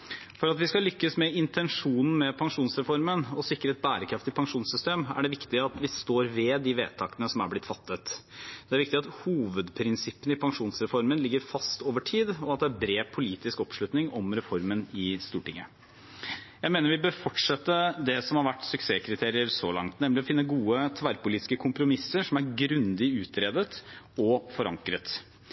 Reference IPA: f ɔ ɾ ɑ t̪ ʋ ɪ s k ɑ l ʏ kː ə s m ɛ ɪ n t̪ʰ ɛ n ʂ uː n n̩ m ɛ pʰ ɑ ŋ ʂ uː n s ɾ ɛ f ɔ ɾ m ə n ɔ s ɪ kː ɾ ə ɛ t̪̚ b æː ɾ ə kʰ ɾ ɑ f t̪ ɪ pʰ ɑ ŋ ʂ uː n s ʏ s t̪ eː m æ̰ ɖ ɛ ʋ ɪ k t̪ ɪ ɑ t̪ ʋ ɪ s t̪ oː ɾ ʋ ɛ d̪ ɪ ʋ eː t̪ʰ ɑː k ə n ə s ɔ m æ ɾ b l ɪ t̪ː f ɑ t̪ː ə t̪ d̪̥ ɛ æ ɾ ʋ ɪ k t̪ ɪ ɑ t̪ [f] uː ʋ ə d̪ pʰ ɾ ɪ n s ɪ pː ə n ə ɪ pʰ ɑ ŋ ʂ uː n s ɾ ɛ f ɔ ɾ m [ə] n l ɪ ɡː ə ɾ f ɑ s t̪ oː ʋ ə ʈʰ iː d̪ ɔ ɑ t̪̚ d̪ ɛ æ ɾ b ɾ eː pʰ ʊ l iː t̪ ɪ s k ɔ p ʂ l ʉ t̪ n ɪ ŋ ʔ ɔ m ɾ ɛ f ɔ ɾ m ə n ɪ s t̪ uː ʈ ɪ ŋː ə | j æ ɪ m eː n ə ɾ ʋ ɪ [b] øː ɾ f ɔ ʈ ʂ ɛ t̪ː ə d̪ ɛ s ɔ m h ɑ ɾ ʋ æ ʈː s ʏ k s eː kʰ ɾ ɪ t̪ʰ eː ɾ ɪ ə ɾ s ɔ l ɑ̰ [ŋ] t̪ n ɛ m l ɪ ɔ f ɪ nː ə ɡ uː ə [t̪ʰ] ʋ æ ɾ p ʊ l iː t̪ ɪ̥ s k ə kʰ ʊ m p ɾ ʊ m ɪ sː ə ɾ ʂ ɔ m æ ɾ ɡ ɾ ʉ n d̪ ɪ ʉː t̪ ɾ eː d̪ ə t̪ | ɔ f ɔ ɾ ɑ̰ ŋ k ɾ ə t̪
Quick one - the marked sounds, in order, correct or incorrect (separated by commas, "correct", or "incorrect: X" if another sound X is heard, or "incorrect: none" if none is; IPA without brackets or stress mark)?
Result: incorrect: h, correct, correct, correct, correct